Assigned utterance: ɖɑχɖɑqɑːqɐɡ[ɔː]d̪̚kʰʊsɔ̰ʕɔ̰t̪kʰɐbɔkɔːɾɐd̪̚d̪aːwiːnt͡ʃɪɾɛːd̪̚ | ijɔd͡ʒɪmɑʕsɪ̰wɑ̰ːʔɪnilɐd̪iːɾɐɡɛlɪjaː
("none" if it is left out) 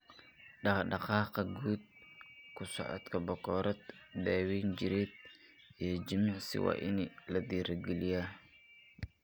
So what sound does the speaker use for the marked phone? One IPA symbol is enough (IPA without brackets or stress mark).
uː